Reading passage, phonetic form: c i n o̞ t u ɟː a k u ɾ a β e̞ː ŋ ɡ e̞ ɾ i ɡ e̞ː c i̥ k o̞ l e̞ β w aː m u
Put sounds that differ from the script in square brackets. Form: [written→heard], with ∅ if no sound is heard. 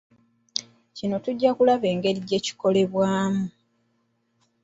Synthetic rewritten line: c i n o̞ t u ɟː a k u [ɾ→l] a β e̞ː ŋ ɡ e̞ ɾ i [ɡ→ɟ] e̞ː c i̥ k o̞ l e̞ β w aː m u